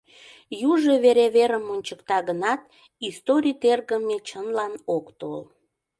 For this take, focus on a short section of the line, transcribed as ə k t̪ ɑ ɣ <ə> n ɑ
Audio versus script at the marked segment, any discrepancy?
no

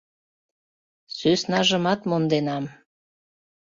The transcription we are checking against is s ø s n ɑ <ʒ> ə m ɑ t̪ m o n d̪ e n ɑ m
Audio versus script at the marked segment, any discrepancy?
no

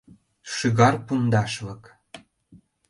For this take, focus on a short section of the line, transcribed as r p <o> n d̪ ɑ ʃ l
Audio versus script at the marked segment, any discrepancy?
yes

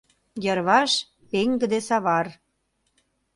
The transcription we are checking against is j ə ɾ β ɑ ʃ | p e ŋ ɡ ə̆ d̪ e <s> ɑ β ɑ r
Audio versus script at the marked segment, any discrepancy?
no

